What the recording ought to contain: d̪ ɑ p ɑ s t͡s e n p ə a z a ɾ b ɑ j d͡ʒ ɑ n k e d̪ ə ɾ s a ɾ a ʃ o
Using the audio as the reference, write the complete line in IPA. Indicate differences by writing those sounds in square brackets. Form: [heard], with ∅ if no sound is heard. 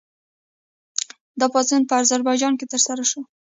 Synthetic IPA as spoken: d̪ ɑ p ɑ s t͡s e n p ə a z a ɾ b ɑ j d͡ʒ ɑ n k e [t̪] ə ɾ s a ɾ a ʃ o